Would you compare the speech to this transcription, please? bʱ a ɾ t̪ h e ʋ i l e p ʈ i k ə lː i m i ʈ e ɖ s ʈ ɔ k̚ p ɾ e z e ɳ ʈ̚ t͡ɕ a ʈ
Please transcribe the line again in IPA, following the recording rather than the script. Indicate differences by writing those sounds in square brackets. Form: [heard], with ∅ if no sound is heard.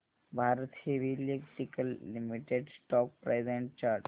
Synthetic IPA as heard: bʱ a ɾ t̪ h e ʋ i l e [k] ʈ i k ə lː i m i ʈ e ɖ s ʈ ɔ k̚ p ɾ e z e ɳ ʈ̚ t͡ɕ a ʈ